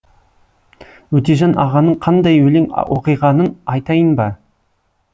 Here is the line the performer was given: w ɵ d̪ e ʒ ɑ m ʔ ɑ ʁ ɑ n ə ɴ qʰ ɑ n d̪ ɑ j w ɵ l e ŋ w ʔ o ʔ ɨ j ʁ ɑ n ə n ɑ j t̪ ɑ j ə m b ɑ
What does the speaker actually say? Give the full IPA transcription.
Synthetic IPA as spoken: w ɵ t̪ e ʒ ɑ n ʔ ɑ ʁ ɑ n ə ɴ qʰ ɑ n d̪ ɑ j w ɵ l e ŋ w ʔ o q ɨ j ʁ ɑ n ə n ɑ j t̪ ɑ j ə n b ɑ

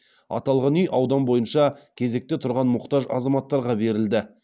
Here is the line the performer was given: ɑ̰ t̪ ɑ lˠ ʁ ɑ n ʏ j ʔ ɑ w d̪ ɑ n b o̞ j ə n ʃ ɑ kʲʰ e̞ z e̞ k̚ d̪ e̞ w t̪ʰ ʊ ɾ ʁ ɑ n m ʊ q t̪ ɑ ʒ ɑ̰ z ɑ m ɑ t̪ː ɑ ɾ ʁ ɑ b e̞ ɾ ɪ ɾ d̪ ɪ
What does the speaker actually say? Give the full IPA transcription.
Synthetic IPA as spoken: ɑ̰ t̪ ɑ lˠ ʁ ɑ n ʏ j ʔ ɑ w d̪ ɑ n b o̞ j ə n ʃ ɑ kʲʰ e̞ z e̞ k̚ t̪ e̞ t̪ʰ ʊ ɾ ʁ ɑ n m ʊ q t̪ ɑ ʒ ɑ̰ z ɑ m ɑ t̪ː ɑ ɾ ʁ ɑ b e̞ ɾ ɪ l d̪ ɪ

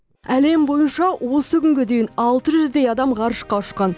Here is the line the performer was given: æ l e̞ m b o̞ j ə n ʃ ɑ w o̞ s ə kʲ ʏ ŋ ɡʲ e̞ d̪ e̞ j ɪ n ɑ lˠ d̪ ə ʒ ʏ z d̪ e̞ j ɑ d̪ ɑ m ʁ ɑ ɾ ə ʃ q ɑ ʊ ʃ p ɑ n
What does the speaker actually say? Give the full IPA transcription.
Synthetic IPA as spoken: æ l e̞ m b o̞ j ə n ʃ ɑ w o̞ s ə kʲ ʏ ŋ ɡʲ e̞ d̪ e̞ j ɪ n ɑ lˠ t̪ ə ʒ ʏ z d̪ e̞ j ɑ d̪ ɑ m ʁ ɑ ɾ ə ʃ q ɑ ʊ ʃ q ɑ n

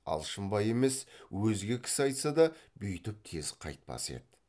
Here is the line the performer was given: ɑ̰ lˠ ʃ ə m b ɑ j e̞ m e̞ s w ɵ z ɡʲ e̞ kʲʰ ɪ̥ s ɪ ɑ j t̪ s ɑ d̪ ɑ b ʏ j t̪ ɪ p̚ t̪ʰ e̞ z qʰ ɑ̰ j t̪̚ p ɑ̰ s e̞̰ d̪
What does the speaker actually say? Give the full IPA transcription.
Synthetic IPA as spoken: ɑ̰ lˠ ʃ ə m b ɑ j e̞ m e̞ s w ɵ z ɡʲ e̞ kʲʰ ɪ̥ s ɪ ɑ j t̪ s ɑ d̪ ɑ b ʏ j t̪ ɪ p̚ t̪ʰ e̞ z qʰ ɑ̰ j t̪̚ p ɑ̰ s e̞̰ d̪

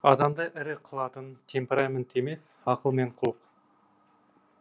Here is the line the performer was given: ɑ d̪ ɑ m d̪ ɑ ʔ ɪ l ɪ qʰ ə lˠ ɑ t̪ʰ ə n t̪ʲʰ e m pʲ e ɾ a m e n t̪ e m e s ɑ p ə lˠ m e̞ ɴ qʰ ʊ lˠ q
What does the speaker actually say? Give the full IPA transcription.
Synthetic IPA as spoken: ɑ d̪ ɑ m d̪ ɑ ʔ ɪ ɾ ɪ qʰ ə lˠ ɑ t̪ ə n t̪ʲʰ e m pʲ e ɾ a m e n t̪ e m e s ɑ q ə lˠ m e̞ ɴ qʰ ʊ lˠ q

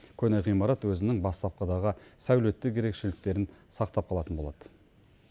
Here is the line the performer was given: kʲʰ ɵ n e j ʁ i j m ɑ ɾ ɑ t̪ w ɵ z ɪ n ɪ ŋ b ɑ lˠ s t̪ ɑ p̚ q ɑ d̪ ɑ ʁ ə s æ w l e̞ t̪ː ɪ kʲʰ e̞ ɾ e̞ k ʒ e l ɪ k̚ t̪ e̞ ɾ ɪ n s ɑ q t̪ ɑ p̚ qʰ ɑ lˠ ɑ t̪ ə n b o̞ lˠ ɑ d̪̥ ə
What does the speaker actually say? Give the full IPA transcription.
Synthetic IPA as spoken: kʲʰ ɵ n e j ʁ i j m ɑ ɾ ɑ t̪ w ɵ z ɪ n ɪ ŋ b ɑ s t̪ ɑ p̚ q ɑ d̪ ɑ ʁ ə s æ w l e̞ t̪ː ɪ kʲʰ e̞ ɾ e̞ k ʃ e l ɪ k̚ t̪ e̞ ɾ ɪ n s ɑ q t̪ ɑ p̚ qʰ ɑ lˠ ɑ t̪ ə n b o̞ lˠ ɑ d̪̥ ə

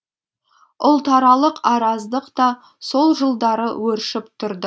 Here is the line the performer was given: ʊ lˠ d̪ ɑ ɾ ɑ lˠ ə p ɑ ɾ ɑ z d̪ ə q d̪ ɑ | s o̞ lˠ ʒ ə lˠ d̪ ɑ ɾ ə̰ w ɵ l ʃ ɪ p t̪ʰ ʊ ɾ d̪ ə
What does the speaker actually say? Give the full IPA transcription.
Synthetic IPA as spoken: ʊ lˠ t̪ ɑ ɾ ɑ lˠ ə q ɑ ɾ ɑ z d̪ ə q t̪ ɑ | s o̞ lˠ ʒ ə lˠ d̪ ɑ ɾ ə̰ w ɵ ɾ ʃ ɪ p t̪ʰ ʊ ɾ d̪ ə

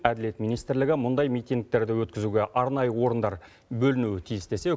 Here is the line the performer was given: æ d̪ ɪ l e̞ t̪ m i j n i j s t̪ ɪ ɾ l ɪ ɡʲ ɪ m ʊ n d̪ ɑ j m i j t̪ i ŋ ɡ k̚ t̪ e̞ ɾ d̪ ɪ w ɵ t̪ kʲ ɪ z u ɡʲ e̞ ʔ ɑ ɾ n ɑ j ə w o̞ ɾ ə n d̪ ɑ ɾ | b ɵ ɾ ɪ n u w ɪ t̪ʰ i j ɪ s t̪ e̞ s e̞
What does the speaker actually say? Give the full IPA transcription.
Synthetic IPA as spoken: æ d̪ ɪ l e̞ t̪ m i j n i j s t̪ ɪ ɾ l ɪ ɡʲ ɪ m ʊ n d̪ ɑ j m i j t̪ i ŋ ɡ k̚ t̪ e̞ ɾ d̪ ɪ w ɵ t̪ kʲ ɪ z u ɡʲ e̞ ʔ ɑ ɾ n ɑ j ə w o̞ ɾ ə n d̪ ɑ ɾ | b ɵ l ɪ n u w ɪ t̪ʰ i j ɪ s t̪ e̞ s e̞

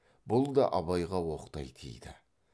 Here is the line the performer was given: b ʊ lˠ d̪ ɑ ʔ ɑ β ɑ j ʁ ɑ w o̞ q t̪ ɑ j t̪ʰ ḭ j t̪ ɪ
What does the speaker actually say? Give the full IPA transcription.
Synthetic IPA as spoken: b ʊ lˠ d̪ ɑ ʔ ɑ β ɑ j ʁ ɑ w o̞ q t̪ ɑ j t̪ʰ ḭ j d̪ ɪ

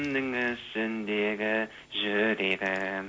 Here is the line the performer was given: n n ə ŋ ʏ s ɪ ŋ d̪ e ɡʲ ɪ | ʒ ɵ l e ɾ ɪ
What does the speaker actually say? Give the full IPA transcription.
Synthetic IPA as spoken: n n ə ŋ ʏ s ɪ n d̪ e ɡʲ ɪ | ʒ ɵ ɾ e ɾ ɪ

